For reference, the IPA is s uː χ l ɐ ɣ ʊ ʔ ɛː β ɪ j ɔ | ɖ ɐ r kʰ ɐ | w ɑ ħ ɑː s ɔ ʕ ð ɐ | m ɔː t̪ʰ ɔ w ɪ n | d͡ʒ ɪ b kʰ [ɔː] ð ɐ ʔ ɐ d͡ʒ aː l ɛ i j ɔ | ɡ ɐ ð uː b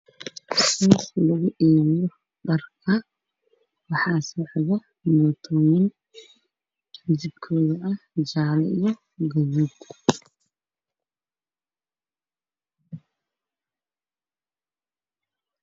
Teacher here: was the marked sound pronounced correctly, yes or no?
yes